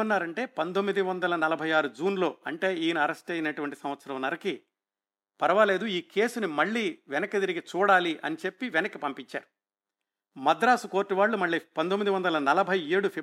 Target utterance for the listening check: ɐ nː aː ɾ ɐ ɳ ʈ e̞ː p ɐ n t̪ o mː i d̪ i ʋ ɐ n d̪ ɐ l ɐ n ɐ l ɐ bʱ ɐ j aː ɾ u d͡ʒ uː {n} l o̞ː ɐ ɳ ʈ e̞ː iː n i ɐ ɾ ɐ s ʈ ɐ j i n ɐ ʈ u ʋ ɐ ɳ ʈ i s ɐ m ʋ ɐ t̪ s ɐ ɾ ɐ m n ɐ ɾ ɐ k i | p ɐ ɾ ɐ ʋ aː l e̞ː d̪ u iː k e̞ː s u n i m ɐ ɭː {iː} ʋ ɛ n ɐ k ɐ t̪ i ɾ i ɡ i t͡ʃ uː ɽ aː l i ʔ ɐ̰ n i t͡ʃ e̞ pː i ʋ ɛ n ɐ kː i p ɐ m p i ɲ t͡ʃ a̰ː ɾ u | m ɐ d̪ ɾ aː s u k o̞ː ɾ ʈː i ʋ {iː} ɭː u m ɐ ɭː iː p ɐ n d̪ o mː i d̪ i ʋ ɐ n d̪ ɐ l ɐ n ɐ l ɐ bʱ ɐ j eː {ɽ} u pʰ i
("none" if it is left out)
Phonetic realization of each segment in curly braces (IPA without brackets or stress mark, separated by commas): n, iː, aː, ɽ